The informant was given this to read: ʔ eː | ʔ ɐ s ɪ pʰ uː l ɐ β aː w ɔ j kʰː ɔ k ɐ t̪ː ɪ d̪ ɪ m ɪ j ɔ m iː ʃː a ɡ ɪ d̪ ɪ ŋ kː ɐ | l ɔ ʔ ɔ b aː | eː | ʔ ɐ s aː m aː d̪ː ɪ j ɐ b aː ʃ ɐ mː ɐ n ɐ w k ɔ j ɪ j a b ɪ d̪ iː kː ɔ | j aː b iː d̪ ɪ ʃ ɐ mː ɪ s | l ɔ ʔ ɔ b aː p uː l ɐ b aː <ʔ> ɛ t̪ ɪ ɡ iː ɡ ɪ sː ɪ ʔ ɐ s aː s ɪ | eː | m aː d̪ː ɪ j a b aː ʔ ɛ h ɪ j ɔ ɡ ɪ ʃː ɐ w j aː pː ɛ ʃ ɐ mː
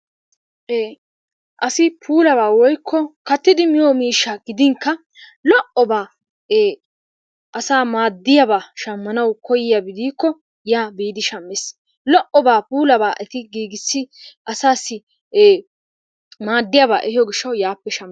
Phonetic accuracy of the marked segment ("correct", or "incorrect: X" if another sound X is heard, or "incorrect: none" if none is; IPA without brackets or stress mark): correct